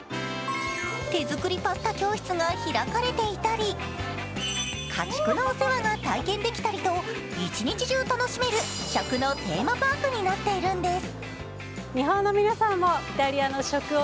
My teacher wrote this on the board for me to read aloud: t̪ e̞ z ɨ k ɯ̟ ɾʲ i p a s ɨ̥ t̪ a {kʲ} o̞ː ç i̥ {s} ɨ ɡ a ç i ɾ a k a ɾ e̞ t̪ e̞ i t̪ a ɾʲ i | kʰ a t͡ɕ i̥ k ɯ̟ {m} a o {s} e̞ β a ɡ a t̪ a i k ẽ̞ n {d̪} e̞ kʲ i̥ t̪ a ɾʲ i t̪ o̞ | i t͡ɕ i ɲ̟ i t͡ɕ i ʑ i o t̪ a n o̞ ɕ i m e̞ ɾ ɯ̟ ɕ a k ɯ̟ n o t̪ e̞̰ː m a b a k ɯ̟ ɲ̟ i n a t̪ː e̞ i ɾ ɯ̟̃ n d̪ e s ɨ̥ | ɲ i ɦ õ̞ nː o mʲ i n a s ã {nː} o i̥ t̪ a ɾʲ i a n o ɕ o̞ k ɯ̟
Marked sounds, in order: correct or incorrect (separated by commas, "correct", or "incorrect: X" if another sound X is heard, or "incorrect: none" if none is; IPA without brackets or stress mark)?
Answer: correct, incorrect: t͡s, incorrect: n, correct, correct, incorrect: mː